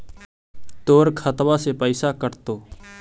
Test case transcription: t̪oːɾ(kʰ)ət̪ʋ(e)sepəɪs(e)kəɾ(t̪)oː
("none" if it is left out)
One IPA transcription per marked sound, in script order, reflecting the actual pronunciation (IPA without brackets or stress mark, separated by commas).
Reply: kʰ, a, a, t̪